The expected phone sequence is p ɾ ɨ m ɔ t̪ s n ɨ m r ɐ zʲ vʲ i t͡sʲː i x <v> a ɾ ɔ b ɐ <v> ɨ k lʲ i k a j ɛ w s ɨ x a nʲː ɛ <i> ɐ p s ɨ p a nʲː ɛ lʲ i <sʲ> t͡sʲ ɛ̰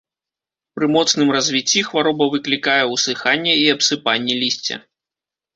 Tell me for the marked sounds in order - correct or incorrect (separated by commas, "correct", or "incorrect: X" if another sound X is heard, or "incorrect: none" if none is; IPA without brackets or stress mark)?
correct, correct, correct, correct